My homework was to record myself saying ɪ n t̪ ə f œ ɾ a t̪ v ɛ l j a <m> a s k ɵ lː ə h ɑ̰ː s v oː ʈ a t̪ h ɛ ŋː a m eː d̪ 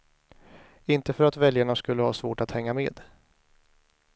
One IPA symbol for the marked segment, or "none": ɳ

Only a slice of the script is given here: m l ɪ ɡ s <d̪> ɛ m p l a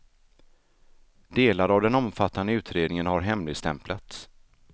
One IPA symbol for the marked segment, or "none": t̪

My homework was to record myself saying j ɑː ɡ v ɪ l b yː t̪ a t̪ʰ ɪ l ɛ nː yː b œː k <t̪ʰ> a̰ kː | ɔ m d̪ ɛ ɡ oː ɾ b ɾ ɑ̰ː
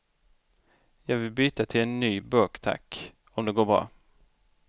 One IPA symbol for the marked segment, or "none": t̪ʰ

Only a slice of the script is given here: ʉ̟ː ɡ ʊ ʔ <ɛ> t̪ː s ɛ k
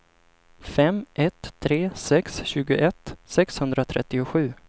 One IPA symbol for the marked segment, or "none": ɛ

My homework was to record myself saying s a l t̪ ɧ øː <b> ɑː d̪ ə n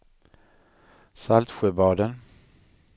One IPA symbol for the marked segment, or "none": b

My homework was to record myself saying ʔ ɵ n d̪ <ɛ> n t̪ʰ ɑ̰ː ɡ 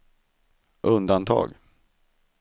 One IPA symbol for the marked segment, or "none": a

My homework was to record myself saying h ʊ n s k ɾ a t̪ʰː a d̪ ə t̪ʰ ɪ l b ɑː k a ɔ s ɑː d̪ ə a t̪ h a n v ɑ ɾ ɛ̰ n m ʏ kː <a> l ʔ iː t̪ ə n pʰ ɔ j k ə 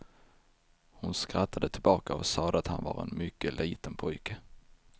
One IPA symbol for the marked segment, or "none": ə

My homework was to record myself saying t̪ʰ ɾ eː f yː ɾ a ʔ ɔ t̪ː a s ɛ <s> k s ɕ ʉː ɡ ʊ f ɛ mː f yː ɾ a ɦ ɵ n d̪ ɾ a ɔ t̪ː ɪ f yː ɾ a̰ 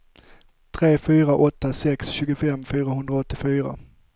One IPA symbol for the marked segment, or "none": none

